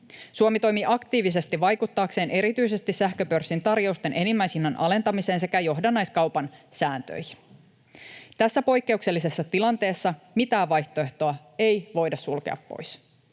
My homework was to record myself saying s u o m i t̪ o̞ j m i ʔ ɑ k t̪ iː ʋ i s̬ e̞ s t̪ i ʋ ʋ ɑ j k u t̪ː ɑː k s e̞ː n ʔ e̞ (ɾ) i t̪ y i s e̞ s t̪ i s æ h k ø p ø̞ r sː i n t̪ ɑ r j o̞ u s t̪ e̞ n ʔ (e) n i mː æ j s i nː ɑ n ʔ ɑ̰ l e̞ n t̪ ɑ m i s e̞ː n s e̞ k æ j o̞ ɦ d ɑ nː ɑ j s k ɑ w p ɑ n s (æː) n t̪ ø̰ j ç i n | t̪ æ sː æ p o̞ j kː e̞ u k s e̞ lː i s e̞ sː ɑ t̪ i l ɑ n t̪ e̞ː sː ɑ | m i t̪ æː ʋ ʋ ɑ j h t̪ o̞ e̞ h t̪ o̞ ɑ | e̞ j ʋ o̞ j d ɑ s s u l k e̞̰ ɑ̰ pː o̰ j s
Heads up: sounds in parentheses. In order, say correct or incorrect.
correct, correct, correct

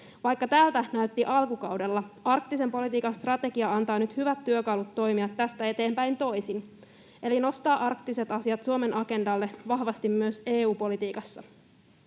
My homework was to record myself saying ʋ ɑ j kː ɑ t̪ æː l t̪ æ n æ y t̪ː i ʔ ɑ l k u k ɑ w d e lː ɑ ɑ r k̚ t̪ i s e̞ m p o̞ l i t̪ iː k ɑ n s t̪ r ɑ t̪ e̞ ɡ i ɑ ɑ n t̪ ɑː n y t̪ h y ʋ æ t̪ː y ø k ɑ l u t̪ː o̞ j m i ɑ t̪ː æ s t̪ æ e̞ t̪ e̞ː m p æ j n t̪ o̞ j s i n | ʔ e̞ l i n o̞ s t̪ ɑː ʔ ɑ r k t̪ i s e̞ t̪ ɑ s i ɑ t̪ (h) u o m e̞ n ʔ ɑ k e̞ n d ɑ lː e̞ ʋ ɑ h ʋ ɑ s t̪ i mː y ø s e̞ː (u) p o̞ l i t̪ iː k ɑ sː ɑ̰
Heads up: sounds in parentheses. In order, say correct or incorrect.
incorrect, incorrect

